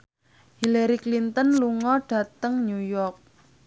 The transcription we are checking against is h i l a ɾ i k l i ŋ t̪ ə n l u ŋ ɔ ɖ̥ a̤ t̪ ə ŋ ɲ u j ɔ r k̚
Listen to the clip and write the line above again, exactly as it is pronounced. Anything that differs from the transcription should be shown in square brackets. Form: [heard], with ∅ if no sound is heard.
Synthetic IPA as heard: h i l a ɾ i k l i [n] t̪ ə n l u ŋ ɔ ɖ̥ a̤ t̪ ə ŋ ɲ u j ɔ r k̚